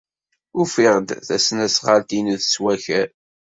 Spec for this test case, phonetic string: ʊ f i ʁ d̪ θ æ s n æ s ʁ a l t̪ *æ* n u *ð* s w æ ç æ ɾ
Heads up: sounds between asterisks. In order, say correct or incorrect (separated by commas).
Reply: incorrect, correct